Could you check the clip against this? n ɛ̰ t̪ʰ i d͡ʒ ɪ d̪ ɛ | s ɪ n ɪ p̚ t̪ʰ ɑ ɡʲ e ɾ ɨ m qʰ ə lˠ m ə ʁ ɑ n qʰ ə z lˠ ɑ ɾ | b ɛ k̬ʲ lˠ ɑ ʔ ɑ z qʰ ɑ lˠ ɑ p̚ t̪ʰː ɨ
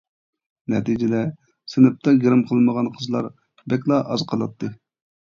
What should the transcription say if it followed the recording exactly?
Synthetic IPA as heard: n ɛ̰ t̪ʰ i d͡ʒ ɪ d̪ ɛ | s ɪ n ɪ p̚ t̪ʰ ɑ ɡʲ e ɾ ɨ m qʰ ə lˠ m ə ʁ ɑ n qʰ ə z lˠ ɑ ɾ | b ɛ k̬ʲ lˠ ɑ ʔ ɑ z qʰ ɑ lˠ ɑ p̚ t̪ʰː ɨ